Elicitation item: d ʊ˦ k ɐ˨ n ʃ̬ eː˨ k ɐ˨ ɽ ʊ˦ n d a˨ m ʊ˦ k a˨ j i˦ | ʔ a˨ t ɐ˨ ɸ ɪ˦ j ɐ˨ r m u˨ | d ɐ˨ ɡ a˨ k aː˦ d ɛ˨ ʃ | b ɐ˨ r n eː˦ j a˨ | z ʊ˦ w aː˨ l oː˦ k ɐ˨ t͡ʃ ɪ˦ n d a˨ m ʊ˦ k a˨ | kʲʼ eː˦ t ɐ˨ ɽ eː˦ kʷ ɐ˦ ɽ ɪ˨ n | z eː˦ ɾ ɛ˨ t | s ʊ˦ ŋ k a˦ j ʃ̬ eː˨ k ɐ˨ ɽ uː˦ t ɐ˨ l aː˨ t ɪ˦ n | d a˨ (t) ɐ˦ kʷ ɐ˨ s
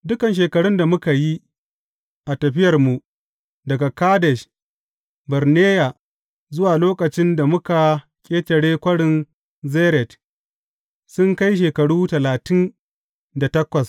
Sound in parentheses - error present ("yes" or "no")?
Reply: no